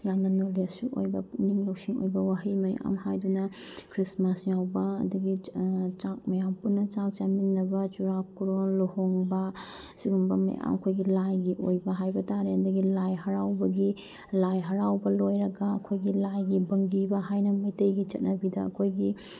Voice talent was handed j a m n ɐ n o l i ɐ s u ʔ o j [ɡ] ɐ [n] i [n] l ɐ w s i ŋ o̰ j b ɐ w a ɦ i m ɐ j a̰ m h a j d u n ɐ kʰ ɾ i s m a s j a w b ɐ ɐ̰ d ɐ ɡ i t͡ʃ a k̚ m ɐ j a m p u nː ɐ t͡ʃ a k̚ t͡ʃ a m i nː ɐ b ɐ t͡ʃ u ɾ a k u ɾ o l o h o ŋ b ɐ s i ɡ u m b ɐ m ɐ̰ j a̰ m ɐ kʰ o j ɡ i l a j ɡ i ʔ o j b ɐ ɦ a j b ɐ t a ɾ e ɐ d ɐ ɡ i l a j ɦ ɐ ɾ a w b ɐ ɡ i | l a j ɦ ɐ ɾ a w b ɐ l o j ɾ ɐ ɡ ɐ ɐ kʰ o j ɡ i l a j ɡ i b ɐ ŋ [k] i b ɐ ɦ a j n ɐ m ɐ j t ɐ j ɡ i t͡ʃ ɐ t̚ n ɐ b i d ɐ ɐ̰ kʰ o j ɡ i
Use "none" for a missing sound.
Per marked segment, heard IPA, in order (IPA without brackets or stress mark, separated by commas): b, n, ŋ, ɡ